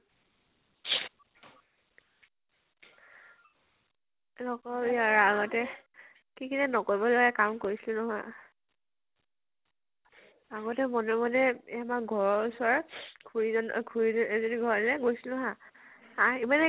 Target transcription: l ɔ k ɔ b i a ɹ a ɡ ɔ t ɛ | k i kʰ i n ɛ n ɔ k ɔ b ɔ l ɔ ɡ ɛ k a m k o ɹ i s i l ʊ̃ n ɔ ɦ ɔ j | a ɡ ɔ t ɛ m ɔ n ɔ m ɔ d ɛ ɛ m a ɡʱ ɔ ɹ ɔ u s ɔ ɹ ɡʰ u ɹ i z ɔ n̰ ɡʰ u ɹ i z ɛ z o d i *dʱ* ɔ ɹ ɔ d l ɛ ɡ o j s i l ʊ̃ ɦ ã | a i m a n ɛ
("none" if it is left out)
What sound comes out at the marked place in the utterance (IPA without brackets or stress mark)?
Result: ɡʱ